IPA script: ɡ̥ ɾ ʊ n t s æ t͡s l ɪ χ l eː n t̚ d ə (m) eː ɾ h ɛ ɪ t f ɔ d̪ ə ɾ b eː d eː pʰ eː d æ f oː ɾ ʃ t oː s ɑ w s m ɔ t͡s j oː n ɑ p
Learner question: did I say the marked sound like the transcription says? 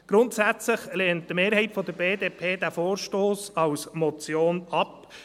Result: yes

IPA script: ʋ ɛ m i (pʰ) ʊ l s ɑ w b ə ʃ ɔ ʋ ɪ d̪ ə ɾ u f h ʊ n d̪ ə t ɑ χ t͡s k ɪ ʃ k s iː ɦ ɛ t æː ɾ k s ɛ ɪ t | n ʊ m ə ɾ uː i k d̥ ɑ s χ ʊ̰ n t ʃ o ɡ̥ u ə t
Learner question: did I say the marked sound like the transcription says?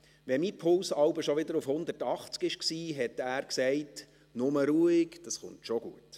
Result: yes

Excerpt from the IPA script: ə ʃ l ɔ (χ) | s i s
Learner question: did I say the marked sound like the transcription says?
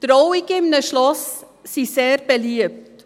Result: no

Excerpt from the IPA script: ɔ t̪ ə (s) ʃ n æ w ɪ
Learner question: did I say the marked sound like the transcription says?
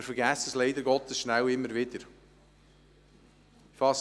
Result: yes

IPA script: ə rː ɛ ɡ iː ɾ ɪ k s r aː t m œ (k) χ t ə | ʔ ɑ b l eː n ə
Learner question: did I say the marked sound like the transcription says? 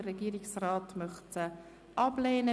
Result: no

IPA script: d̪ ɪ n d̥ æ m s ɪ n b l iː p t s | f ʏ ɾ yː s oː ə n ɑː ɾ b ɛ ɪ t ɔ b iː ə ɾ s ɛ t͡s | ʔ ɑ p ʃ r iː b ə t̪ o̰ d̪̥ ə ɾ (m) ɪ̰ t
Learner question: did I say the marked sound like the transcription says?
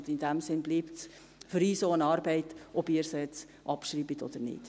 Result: no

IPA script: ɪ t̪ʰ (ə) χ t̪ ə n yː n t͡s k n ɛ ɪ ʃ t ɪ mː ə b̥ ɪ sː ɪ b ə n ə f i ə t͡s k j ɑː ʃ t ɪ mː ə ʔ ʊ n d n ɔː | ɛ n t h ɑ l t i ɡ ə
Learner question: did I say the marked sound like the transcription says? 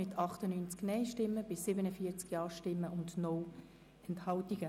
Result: no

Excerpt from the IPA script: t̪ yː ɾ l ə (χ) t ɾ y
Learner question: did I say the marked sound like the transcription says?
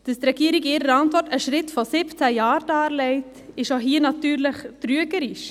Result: yes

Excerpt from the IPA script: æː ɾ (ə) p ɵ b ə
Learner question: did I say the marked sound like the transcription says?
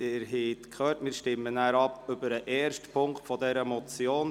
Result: no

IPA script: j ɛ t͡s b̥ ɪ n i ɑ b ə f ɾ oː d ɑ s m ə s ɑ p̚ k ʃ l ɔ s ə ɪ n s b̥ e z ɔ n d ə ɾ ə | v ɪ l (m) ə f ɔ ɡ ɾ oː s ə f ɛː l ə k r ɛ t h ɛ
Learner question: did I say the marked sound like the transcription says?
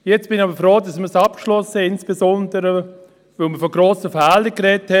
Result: yes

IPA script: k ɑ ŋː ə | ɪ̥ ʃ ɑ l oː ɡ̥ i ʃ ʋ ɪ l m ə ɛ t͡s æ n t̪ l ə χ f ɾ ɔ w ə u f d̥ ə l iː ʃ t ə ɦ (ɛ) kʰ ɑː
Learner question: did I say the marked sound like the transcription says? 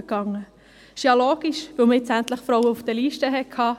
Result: yes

